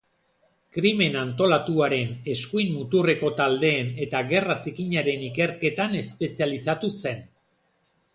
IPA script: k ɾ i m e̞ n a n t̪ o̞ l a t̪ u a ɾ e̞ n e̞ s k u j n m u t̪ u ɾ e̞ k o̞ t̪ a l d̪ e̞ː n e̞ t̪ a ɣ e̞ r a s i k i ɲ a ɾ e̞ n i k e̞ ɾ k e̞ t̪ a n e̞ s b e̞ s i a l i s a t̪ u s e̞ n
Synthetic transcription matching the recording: k ɾ i m e̞ n a n t̪ o̞ l a t̪ u a ɾ e̞ n e̞ s k u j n m u t̪ u r e̞ k o̞ t̪ a l d̪ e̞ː n e̞ t̪ a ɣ e̞ r a s i k i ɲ a ɾ e̞ n i k e̞ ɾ k e̞ t̪ a n e̞ s p e̞ s i a l i s a t̪ u s e̞ n